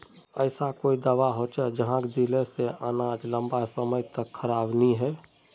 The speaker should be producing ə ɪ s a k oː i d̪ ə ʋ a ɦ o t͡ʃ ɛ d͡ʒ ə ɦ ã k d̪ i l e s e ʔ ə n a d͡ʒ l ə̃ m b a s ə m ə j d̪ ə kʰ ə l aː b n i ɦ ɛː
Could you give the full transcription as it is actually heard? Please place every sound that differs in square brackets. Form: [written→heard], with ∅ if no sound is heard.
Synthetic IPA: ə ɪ s a k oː i d̪ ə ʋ a ɦ o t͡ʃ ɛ d͡ʒ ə ɦ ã k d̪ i l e s e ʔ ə n a d͡ʒ l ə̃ m b a s ə m ə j [d̪→t̪] ə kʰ ə [l→ɾ] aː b n i ɦ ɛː